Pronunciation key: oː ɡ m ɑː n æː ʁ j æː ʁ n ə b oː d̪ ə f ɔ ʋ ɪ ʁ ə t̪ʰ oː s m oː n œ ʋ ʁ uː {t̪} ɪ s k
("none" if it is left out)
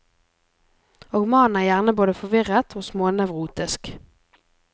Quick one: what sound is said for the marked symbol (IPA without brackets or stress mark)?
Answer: t̪